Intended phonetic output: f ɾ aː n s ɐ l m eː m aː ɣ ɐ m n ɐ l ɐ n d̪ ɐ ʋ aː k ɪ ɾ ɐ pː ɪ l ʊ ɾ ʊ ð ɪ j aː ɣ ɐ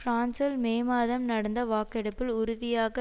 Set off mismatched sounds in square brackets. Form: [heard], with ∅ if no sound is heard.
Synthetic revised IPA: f ɾ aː n s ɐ l m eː m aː [ð] ɐ m n ɐ [ɽ] ɐ n d̪ ɐ ʋ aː k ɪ [ɽ] ɐ pː ɪ l ʊ ɾ ʊ ð ɪ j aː ɣ ɐ